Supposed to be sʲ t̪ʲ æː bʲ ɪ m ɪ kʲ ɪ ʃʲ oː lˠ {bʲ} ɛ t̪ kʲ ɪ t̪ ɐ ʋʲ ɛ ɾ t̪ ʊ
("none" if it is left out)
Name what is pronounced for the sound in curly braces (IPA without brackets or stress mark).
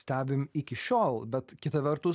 bʲ